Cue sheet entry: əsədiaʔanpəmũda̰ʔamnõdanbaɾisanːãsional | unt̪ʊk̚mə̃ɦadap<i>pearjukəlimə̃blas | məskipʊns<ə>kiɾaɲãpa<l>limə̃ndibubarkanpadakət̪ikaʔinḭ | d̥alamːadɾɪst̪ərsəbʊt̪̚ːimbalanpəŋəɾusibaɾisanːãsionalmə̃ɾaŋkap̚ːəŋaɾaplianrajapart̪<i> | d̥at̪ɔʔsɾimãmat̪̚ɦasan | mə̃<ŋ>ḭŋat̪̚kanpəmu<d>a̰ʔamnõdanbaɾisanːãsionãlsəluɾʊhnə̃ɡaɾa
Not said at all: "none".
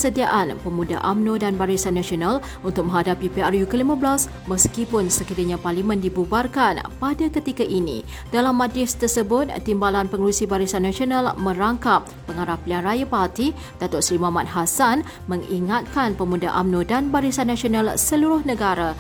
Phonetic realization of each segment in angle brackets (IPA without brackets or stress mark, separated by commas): i, ə, r, i, ŋ, d